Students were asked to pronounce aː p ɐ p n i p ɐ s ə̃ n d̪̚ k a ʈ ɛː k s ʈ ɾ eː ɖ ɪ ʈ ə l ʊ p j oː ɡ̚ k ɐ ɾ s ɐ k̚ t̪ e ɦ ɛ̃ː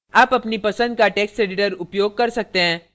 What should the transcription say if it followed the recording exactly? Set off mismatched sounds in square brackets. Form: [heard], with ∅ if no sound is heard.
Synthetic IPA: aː p ɐ p n i p ɐ s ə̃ n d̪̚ k a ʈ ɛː k s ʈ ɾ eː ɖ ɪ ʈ ə [ɾ] ʊ p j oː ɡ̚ k ɐ ɾ s ɐ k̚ t̪ e ɦ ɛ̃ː

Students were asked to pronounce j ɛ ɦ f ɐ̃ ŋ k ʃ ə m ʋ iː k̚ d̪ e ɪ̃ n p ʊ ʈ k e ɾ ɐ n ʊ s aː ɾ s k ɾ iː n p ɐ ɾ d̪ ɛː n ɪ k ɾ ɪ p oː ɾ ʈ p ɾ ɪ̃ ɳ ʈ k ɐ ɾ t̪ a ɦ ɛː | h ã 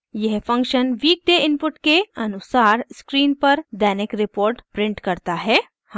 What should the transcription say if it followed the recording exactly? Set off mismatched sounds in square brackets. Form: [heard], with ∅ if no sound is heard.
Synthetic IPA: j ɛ ɦ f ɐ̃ ŋ k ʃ ə [n] ʋ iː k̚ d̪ e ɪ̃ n p ʊ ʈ k e [∅] ɐ n ʊ s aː ɾ s k ɾ iː n p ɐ ɾ d̪ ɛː n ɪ k ɾ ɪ p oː ɾ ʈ p ɾ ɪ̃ ɳ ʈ k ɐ ɾ t̪ a ɦ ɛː | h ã

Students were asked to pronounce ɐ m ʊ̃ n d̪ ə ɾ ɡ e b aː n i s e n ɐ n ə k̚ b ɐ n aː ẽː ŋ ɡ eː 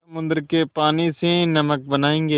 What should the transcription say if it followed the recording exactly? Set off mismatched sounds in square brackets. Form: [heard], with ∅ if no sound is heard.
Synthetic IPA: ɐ m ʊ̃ n d̪ ə ɾ [k] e [p] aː n i s e n ɐ [m] ə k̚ b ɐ n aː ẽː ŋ ɡ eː

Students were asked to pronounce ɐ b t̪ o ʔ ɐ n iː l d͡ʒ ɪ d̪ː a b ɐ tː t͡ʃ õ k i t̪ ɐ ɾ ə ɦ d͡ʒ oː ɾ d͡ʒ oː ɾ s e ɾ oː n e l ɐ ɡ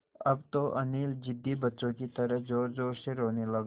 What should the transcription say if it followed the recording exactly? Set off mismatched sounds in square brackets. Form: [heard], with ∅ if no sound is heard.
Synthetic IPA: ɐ b t̪ o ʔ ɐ n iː l d͡ʒ ɪ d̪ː [i] b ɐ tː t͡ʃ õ k i t̪ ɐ ɾ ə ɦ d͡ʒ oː ɾ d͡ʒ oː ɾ s e ɾ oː n e l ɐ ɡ

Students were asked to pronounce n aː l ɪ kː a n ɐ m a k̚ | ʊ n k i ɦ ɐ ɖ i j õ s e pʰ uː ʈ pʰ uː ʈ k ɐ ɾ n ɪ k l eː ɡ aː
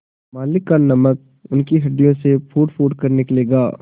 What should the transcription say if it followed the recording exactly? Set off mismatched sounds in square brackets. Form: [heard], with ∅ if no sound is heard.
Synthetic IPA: [m] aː l ɪ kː a n ɐ m [ə] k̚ | ʊ n k i ɦ ɐ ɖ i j õ s e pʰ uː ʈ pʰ uː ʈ k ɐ ɾ n ɪ k l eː ɡ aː

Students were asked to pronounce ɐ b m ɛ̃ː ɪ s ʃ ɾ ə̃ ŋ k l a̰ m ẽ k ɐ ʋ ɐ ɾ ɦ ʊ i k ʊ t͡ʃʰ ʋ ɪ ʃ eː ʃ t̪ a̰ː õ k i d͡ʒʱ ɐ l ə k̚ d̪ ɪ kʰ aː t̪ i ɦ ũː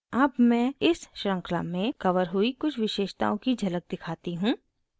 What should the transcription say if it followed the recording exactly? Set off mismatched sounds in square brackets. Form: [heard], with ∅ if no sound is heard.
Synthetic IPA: ɐ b m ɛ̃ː ɪ s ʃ ɾ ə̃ ŋ k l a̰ m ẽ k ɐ ʋ [ə] ɾ ɦ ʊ i k ʊ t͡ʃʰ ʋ ɪ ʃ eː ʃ t̪ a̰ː õ k i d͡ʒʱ ɐ l ə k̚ d̪ ɪ kʰ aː t̪ i ɦ ũː

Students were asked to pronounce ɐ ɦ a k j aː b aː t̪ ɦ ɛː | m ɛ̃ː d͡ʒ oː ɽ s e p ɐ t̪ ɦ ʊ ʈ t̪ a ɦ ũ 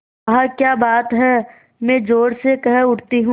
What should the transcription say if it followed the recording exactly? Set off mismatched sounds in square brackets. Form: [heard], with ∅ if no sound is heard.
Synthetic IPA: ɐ ɦ a k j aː b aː t̪ ɦ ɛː | m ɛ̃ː d͡ʒ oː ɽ s e [k] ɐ [∅] ɦ ʊ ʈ t̪ [i] ɦ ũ

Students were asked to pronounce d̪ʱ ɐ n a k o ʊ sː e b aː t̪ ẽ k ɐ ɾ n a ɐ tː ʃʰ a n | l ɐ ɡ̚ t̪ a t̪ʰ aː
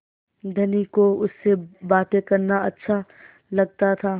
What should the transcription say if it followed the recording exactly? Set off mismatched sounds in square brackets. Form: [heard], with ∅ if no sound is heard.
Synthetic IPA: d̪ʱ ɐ n [i] k o ʊ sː e b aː t̪ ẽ k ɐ ɾ n a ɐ tː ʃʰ a [∅] | l ɐ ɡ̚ t̪ a t̪ʰ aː

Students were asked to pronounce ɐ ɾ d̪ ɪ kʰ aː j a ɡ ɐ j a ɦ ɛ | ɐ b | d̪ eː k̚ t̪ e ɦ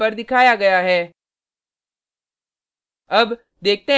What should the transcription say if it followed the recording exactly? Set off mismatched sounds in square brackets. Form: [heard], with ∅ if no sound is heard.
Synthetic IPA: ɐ ɾ d̪ ɪ kʰ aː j a ɡ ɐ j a ɦ [ɛː] | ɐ b | d̪ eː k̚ t̪ e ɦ

